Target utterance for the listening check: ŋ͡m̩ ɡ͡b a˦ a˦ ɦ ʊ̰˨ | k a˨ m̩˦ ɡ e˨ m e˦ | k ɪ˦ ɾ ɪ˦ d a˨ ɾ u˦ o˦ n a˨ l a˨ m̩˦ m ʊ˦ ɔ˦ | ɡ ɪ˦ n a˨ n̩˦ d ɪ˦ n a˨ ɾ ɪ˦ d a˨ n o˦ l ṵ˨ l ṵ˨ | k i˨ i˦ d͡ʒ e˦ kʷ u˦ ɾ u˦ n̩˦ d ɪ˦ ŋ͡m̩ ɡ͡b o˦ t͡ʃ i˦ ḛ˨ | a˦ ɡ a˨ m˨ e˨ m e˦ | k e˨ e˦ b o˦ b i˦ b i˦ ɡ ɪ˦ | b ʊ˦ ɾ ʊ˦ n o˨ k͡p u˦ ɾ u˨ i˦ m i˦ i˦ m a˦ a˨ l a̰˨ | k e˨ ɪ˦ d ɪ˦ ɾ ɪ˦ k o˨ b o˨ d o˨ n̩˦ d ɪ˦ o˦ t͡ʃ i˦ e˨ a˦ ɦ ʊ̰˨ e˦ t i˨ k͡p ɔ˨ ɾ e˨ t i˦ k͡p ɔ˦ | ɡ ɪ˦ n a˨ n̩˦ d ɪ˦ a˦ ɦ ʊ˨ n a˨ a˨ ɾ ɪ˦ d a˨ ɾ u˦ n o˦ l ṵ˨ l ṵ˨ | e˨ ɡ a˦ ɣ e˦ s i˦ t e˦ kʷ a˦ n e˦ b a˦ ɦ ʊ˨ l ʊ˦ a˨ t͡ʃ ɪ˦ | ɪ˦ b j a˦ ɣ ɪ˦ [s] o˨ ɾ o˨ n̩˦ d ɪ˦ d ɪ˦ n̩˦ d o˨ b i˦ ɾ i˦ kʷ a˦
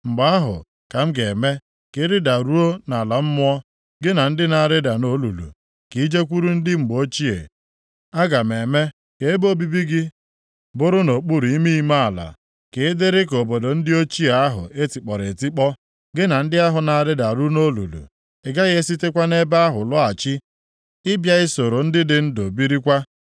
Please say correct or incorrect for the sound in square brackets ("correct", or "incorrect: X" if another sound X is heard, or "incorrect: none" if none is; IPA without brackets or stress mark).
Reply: correct